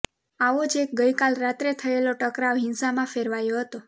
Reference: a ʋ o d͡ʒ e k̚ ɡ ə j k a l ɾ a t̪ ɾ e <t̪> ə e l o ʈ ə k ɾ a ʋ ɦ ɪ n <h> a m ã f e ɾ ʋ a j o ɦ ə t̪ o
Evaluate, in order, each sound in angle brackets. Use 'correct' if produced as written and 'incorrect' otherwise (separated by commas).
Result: incorrect, incorrect